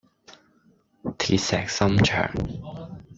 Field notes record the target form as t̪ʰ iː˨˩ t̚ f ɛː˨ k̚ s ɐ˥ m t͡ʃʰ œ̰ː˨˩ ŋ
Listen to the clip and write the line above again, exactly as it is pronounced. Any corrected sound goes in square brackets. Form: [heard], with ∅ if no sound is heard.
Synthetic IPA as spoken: t̪ʰ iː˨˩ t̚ [s] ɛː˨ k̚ s ɐ˥ m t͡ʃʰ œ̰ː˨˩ ŋ